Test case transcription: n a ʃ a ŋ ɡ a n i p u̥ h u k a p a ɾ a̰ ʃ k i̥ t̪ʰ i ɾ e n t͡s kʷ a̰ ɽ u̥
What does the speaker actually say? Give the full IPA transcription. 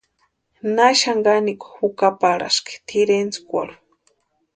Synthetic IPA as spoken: n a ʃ a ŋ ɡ a n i k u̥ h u k a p a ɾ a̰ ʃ k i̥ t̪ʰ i ɾ e n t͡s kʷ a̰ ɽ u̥